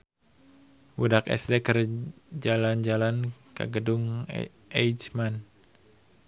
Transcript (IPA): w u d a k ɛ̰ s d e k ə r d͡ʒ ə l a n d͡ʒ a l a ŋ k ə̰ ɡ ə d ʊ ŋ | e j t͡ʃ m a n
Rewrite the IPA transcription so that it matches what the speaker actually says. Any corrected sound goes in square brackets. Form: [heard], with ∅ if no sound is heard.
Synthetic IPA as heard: w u d a k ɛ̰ s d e k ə r d͡ʒ [a] l a n d͡ʒ a l a [n] k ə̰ ɡ ə d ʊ ŋ | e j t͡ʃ m a n